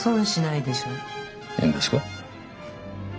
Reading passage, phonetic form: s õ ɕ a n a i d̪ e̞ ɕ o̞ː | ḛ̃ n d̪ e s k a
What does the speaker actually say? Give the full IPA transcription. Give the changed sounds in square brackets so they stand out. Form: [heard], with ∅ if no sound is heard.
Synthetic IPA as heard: s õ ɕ [i] n a i d̪ e̞ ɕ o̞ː | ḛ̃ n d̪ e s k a